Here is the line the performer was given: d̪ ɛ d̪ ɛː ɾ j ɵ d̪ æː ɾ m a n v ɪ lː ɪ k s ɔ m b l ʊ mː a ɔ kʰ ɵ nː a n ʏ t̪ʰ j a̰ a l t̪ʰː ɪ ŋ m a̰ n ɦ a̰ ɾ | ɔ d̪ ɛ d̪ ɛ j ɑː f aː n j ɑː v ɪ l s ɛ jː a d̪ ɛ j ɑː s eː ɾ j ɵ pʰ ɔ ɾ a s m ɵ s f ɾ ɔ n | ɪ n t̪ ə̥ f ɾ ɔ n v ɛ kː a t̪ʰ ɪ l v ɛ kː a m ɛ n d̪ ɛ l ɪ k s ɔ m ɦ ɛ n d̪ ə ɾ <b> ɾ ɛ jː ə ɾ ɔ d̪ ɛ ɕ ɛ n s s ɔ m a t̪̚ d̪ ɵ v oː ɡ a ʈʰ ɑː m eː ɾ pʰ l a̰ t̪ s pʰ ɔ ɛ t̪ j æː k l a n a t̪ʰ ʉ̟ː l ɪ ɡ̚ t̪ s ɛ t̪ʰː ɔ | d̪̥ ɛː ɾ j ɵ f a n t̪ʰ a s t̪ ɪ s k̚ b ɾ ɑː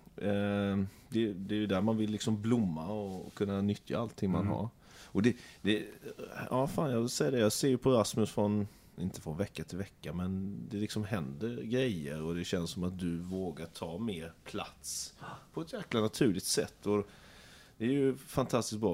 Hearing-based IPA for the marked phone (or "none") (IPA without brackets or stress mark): ɡ